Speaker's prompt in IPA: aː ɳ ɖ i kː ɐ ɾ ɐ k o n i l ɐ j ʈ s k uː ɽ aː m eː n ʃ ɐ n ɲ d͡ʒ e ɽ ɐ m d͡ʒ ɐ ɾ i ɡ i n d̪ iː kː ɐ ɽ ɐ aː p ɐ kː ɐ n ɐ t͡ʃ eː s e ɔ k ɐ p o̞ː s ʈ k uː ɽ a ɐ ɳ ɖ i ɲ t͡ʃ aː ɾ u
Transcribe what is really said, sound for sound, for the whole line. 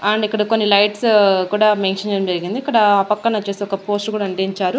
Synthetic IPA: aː ɳ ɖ i kː ɐ ɽ ɐ k o nː i l ɐ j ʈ s k uː ɽ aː m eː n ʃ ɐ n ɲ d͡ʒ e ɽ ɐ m d͡ʒ ɐ ɾ i ɡ i n d̪ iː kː ɐ ɽ ɐ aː p ɐ kː ɐ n ɐ t͡ʃ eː s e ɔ k ɐ p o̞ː s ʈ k uː ɽ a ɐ ɳ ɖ i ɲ t͡ʃ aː ɾ u